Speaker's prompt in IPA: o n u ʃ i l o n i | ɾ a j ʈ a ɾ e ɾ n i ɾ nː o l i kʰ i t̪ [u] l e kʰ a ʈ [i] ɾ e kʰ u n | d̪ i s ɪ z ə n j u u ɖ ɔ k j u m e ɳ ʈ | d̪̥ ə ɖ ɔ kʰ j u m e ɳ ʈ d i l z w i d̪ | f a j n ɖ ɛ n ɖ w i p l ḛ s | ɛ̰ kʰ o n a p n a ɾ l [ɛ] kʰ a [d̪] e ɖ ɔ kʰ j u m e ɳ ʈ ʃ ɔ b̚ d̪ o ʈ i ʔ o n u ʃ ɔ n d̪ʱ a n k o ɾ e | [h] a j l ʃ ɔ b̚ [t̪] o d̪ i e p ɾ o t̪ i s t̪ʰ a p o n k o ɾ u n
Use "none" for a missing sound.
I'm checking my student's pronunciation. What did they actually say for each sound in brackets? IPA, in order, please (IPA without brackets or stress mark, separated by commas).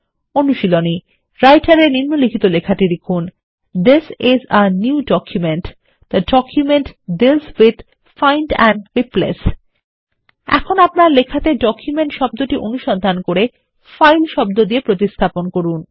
o, i, e, t̪, f, d̪